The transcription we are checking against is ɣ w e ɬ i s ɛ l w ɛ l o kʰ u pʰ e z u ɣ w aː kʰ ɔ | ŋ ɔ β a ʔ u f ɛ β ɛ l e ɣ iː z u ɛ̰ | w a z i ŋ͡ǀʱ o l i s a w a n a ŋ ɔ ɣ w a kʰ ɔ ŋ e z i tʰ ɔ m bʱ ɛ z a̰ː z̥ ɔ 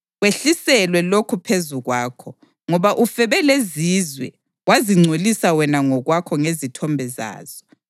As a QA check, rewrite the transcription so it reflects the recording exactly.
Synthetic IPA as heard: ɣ w e ɬ i s ɛ l w ɛ l o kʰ u pʰ e z u ɣ w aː kʰ ɔ | ŋ ɔ β a ʔ u f ɛ β ɛ l e z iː z w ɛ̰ | w a z i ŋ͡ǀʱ o l i s a w ɛ n a ŋ ɔ ɣ w a kʰ ɔ ŋ e z i tʰ ɔ m bʱ ɛ z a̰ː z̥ ɔ